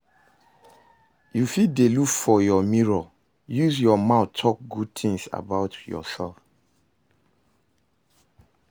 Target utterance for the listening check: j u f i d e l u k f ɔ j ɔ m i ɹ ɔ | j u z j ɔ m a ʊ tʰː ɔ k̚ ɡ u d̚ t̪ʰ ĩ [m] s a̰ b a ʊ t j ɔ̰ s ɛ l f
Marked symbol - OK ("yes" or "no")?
no